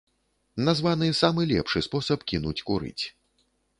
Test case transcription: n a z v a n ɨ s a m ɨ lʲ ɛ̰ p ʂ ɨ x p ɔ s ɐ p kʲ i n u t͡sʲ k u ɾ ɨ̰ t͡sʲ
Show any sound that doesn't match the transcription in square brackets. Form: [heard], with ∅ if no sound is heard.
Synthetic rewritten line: n a z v a n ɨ s a m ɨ lʲ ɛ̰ p ʂ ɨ [s] p ɔ s ɐ p kʲ i n u t͡sʲ k u ɾ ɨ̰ t͡sʲ